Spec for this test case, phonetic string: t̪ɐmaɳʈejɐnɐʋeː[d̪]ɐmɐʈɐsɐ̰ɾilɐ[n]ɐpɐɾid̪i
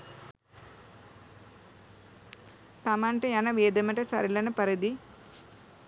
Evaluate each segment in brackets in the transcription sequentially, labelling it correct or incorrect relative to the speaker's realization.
correct, correct

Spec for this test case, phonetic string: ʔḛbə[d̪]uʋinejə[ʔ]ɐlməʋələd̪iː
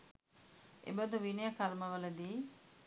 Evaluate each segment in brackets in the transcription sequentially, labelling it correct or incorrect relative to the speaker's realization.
correct, incorrect: k

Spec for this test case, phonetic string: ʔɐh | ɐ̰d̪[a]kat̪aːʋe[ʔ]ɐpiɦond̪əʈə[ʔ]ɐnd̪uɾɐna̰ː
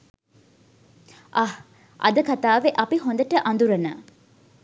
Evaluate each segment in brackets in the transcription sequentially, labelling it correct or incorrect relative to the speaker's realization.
incorrect: ə, correct, correct

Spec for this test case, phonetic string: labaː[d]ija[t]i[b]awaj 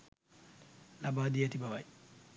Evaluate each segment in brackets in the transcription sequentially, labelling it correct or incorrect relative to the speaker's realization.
correct, correct, correct

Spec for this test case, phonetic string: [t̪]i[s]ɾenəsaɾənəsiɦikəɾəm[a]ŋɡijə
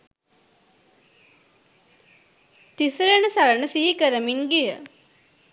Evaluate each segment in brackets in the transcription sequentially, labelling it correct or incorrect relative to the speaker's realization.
correct, correct, incorrect: i

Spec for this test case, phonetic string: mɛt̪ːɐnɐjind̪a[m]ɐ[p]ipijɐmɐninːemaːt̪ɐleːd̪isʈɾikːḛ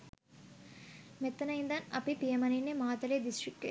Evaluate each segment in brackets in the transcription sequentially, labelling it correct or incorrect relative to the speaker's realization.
incorrect: n, correct

